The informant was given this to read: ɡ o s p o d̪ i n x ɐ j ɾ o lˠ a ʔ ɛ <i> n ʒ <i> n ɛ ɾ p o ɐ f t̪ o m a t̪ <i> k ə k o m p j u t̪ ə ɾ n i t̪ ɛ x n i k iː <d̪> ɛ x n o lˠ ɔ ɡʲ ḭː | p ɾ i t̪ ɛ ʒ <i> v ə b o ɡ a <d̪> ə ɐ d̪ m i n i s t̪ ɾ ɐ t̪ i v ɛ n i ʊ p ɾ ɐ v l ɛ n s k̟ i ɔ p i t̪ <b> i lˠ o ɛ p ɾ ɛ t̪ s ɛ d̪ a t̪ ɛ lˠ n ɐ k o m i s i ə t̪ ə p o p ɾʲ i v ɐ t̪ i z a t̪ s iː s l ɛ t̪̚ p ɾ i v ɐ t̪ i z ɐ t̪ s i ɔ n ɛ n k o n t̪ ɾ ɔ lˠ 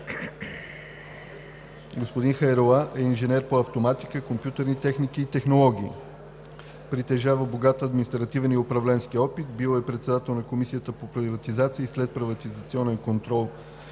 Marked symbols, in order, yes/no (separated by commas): yes, no, yes, no, no, no, yes